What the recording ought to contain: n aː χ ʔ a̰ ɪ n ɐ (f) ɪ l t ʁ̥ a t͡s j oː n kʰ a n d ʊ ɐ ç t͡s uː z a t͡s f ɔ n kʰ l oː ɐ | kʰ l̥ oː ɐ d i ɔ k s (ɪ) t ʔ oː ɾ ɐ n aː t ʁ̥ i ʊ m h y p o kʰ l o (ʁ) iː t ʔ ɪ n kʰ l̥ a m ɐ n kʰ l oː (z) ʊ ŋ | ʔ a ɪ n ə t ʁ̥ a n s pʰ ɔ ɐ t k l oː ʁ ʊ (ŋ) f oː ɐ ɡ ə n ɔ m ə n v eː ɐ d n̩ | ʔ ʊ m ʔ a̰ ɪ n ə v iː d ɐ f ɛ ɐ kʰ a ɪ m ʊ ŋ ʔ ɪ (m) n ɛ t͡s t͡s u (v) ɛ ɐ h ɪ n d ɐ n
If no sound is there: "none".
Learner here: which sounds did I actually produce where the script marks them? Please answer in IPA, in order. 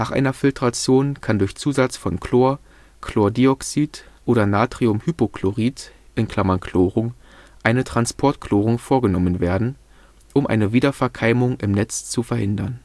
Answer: f, i, ʁ, ʁ, ŋ, m, f

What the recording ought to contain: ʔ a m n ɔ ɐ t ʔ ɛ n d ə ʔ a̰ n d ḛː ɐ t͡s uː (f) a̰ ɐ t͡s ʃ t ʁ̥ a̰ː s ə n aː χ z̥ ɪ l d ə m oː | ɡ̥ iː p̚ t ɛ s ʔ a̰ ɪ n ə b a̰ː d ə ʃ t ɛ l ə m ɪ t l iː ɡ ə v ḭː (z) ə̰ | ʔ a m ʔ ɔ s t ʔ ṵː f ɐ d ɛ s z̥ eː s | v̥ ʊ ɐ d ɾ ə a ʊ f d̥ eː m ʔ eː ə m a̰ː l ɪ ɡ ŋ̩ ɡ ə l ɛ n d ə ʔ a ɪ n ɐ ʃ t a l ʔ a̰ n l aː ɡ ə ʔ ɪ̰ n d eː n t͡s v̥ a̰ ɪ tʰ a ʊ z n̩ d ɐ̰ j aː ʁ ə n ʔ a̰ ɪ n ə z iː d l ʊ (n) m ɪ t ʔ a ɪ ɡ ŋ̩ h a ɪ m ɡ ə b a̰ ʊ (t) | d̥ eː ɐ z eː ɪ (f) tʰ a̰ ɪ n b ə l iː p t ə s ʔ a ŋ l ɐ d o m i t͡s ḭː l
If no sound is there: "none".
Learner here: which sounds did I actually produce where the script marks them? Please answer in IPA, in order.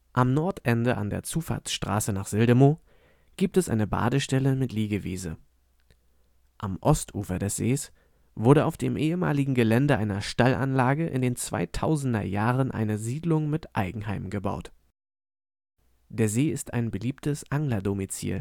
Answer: f, z, ŋ, t, s

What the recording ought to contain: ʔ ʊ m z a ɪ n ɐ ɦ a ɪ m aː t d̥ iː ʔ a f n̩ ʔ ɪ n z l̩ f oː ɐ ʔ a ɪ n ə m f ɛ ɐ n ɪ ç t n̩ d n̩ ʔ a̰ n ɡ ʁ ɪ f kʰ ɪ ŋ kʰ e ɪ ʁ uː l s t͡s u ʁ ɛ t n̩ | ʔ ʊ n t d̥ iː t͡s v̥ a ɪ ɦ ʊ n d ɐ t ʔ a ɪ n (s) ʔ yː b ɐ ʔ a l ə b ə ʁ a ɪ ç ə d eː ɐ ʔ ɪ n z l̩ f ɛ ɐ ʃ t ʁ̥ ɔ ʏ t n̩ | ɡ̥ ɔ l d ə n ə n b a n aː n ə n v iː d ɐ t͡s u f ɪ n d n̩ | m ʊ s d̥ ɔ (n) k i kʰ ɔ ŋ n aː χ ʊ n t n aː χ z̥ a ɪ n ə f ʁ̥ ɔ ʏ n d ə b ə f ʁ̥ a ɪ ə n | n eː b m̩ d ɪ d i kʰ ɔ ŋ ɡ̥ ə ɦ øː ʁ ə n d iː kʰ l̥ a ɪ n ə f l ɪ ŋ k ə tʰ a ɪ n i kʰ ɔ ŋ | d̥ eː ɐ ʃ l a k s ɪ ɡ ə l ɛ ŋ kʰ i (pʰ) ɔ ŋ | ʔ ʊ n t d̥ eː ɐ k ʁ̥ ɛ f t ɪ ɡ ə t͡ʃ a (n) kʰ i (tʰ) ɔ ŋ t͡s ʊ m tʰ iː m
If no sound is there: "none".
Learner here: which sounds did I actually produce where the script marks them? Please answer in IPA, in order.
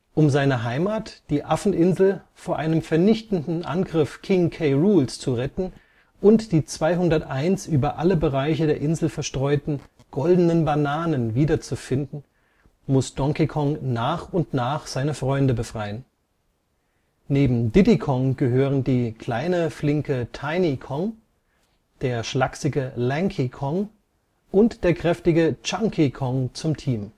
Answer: s, ŋ, kʰ, ŋ, kʰ

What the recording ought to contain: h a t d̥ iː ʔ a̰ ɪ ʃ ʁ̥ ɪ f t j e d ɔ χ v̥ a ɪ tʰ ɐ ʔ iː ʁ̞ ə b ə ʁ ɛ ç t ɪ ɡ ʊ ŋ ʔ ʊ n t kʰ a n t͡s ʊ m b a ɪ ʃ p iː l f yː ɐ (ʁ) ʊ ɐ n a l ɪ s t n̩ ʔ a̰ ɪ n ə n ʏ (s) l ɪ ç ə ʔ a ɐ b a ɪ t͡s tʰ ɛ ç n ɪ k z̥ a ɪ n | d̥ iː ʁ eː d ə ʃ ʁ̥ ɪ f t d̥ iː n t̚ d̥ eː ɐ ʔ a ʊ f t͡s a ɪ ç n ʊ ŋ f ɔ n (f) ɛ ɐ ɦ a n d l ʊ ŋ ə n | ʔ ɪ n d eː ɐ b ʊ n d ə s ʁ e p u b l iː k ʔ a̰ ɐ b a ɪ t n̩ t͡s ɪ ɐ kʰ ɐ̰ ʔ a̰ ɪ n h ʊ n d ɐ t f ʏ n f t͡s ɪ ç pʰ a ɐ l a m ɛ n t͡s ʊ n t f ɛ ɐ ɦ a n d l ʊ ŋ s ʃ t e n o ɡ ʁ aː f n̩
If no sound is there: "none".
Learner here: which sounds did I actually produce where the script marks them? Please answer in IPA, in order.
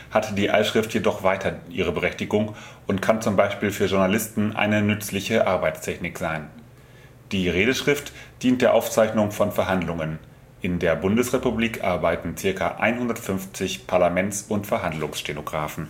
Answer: ʒ, t͡s, f

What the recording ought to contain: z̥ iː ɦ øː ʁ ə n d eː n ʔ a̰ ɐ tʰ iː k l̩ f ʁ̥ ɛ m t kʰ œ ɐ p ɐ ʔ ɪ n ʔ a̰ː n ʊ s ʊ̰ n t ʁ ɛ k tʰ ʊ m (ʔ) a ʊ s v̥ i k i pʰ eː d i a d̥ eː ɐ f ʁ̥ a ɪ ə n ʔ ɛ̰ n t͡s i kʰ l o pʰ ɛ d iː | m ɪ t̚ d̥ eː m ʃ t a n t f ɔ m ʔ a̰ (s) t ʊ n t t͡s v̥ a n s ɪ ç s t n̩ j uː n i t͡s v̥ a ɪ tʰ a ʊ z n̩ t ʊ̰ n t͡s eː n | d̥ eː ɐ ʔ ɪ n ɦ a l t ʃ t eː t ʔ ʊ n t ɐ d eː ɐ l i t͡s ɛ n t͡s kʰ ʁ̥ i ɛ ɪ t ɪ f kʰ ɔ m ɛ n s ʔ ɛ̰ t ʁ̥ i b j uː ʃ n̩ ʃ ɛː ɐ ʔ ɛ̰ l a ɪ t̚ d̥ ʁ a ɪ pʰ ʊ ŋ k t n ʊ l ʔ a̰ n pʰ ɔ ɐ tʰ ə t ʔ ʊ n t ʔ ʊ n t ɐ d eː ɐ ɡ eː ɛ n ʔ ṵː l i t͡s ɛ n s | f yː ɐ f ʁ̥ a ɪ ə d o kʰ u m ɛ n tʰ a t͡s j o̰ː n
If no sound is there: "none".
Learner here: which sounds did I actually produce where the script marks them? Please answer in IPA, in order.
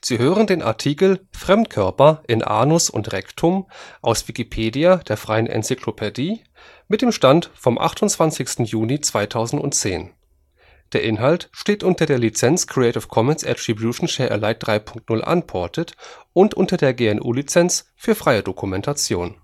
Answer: ʔ, χ

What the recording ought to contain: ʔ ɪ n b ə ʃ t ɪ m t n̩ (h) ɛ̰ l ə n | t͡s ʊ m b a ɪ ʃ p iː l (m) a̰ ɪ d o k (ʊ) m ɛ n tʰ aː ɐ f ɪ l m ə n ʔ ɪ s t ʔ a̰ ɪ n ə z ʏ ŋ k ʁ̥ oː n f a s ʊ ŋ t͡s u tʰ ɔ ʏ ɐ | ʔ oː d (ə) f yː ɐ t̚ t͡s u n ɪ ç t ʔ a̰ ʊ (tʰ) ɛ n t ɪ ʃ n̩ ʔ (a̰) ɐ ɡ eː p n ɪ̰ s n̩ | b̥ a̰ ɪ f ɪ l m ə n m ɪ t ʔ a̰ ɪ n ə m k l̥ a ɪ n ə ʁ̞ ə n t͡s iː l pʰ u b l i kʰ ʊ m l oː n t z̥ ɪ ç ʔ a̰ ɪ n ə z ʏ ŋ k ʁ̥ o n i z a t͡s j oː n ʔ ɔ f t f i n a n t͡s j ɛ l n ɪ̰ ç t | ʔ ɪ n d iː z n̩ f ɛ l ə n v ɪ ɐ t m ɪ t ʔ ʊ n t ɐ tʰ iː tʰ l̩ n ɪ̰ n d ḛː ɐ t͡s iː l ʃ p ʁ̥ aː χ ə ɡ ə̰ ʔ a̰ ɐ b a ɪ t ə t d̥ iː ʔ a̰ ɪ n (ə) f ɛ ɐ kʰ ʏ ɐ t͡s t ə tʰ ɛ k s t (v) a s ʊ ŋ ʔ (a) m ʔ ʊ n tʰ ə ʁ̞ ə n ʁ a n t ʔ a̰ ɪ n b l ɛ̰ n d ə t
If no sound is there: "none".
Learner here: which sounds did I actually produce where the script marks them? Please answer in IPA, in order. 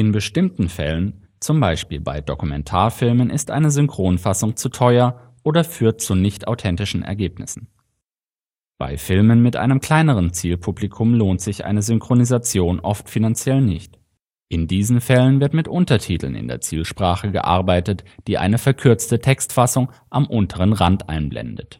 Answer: f, b, u, ɐ, tʰ, ɛ̰, ə, f, a

